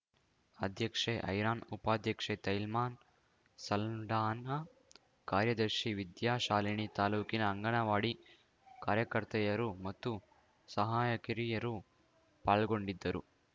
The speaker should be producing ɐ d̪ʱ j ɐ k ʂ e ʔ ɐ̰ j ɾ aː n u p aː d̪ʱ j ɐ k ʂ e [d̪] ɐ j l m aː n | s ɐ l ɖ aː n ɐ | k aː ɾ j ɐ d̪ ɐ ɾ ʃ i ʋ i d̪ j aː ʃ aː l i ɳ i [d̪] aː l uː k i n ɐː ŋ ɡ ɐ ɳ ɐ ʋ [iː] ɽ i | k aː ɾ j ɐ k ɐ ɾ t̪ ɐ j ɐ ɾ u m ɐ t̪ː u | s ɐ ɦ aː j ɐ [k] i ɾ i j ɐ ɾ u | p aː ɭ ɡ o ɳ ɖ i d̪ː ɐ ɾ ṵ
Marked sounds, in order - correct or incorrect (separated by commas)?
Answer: incorrect, incorrect, incorrect, correct